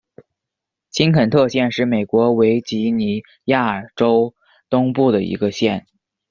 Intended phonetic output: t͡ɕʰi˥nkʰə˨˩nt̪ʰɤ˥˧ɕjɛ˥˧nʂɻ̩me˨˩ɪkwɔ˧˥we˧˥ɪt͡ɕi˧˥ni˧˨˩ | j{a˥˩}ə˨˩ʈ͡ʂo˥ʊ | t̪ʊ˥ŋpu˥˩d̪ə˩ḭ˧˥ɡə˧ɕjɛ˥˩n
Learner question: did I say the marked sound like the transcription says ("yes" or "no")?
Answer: yes